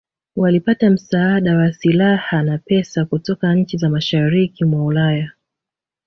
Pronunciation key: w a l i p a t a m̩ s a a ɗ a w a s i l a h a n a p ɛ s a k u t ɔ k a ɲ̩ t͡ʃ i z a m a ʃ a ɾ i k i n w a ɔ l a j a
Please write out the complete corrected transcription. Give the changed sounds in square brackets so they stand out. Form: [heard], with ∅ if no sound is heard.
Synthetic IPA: w a l i p a t a m̩ s a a ɗ a w a s i l a h a n a p ɛ s a k u t ɔ k a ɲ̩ t͡ʃ i z a m a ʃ a ɾ i k i [m] w a [u] l a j a

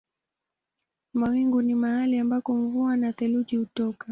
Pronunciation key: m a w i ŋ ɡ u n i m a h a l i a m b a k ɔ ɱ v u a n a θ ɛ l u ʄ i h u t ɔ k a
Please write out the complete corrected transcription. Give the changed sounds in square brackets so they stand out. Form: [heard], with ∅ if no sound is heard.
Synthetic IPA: m a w i ŋ ɡ u n i m a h a l i a m b a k ɔ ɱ v u a n a θ ɛ l u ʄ i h u t ɔ k a

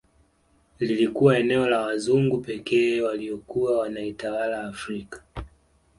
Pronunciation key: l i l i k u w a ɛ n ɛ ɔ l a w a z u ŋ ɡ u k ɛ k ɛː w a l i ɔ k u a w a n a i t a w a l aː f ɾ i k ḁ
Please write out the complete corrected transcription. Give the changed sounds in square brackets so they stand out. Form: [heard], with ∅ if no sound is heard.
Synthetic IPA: l i l i k u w a ɛ n ɛ ɔ l a w a z u ŋ ɡ u [p] ɛ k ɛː w a l i ɔ k u a w a n a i t a w a l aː f ɾ i k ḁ

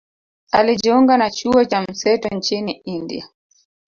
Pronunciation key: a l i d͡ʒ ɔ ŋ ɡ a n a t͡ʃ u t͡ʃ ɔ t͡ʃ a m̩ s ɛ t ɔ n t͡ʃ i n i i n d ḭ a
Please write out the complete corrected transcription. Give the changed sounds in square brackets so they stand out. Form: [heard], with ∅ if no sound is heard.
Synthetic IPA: a l i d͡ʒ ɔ ŋ ɡ a n a t͡ʃ u [∅] ɔ t͡ʃ a m̩ s ɛ t ɔ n t͡ʃ i n i i n d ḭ a

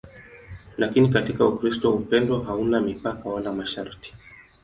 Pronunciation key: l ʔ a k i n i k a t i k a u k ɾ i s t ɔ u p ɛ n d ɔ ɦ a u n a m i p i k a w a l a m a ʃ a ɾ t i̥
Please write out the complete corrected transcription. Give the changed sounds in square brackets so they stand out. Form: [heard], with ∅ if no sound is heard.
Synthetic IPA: l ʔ a k i n i k a t i k a u k ɾ i s t ɔ u p ɛ n d ɔ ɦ a u n a m i p [a] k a w a l a m a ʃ a ɾ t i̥

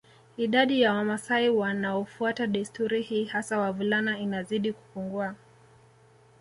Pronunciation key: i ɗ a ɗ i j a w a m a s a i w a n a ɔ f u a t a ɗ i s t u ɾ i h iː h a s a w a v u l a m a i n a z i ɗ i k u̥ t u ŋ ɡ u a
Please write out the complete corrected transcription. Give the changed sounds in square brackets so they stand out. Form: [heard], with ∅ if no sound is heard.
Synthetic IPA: i ɗ a ɗ i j a w a m a s a i w a n a ɔ f u a t a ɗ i s t u ɾ i h iː h a s a w a v u l a [n] a i n a z i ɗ i k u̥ [p] u ŋ ɡ u a

